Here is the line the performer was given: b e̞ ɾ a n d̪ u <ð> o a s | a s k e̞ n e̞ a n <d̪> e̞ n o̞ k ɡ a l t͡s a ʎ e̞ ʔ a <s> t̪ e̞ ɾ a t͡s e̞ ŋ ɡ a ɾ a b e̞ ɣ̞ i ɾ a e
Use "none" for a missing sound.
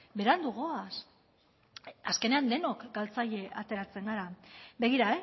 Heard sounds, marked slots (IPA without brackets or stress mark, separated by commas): ɣ, d̪, none